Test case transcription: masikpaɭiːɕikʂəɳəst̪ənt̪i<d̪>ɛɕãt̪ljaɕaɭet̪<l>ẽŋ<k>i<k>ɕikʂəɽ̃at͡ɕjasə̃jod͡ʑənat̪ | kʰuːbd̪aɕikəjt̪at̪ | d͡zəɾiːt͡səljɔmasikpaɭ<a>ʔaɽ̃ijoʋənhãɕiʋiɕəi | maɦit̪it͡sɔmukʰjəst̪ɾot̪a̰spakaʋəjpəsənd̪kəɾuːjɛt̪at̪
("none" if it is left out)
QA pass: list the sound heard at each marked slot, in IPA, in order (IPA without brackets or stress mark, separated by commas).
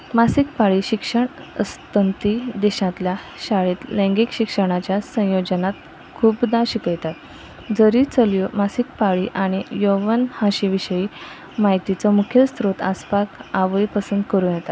d̪, l, ɡ, k, i